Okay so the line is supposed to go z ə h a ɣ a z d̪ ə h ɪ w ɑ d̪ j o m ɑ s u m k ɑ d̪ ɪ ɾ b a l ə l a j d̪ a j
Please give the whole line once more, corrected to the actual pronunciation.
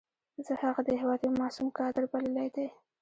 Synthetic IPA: z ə h a ɣ a d̪ ə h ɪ w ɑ d̪ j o m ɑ s u m k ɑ d̪ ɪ ɾ b a l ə l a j d̪ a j